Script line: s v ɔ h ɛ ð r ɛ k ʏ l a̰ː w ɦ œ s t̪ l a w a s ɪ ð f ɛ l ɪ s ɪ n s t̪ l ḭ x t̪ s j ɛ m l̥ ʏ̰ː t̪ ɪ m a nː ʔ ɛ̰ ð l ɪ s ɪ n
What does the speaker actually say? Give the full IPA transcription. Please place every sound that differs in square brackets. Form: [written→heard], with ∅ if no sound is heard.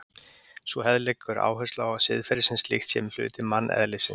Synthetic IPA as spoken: s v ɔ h ɛ ð [r→l] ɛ k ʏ [l→ɾ] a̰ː w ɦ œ s t̪ l a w a s ɪ ð f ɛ [l→ɾ] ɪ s ɪ n s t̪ l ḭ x t̪ s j ɛ m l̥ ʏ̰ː t̪ ɪ m a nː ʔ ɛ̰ ð l ɪ s ɪ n